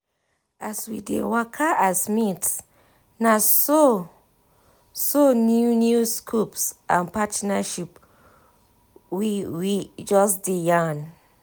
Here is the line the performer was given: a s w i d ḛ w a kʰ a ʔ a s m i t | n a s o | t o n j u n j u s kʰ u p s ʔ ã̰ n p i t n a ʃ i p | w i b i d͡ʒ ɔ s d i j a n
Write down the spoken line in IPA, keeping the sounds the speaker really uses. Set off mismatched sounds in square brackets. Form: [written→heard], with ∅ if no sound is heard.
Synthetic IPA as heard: a s w i d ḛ w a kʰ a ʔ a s m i t | n a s o | [t→s] o n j u n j u s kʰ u p s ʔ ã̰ n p [i→a] t n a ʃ i p | w i [b→w] i d͡ʒ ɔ s d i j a n